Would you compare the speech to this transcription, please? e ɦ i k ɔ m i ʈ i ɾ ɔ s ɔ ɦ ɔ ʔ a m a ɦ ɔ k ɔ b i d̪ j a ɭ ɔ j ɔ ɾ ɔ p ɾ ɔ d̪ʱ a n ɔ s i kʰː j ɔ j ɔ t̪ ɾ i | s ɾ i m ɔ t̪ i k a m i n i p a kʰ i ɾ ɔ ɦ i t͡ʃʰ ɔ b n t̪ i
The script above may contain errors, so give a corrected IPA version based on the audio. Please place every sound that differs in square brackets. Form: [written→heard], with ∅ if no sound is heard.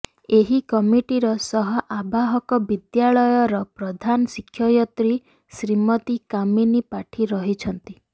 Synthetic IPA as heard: e ɦ i k ɔ m i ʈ i ɾ ɔ s ɔ ɦ ɔ ʔ a [m→b] a ɦ ɔ k ɔ b i d̪ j a ɭ ɔ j ɔ ɾ ɔ p ɾ ɔ d̪ʱ a n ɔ s i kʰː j ɔ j ɔ t̪ ɾ i | s ɾ i m ɔ t̪ i k a m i n i p a [kʰ→ʈʰ] i ɾ ɔ ɦ i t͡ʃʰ ɔ [b→∅] n t̪ i